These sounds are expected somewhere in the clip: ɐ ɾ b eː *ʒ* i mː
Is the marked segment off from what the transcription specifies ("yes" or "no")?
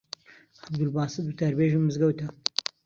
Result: no